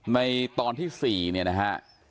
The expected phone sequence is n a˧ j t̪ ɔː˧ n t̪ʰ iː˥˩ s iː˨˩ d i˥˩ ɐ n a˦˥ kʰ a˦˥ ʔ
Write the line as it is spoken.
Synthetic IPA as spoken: n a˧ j t̪ ɔː˧ n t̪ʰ iː˥˩ s iː˨˩ n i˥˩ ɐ n a˦˥ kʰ a˦˥ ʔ